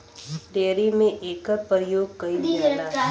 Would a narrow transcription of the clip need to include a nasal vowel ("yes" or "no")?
yes